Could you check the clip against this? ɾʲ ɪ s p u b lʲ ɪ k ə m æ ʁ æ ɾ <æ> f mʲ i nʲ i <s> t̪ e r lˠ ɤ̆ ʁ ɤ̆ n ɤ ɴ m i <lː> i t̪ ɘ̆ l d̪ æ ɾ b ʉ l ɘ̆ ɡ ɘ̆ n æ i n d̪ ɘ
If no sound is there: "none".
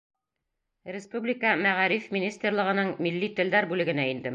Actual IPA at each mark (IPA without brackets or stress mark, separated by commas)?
i, s, lː